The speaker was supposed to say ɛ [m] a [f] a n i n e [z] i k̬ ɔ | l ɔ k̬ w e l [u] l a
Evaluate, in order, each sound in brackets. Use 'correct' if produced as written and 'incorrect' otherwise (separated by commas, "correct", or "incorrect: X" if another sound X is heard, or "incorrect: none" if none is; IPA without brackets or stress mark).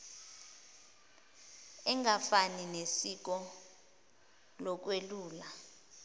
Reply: incorrect: ŋ, correct, incorrect: s, incorrect: uː